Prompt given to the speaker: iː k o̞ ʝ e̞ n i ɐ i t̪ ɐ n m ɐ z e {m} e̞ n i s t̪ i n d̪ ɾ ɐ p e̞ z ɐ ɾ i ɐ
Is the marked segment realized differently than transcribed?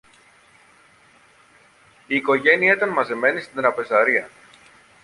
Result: no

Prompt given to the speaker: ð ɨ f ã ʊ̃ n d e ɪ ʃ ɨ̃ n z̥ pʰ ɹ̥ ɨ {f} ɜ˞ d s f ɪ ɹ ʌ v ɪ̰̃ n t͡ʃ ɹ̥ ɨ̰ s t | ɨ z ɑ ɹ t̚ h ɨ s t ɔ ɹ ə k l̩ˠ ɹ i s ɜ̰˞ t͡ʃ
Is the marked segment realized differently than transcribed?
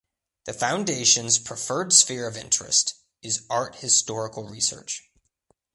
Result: no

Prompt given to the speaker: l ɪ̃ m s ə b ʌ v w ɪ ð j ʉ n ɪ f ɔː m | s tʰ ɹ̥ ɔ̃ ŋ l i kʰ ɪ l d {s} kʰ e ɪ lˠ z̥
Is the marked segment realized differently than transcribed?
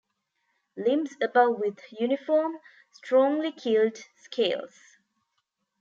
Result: no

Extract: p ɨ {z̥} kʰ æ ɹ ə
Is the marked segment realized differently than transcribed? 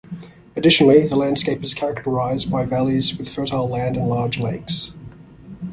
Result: no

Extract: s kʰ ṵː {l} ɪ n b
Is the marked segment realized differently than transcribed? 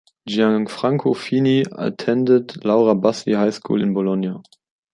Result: no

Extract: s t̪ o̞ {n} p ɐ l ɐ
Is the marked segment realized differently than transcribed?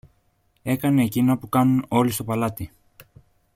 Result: yes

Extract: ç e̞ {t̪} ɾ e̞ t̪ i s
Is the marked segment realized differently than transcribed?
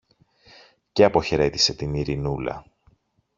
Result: yes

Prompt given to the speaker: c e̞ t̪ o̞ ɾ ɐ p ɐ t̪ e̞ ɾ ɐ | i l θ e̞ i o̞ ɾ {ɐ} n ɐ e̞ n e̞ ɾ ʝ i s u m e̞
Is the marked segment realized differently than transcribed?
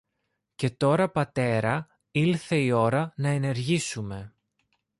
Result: no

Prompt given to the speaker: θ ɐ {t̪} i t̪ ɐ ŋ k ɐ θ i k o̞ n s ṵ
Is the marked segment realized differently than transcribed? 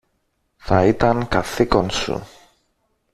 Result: yes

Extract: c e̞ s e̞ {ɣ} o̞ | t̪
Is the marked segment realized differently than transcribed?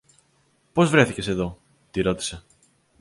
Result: yes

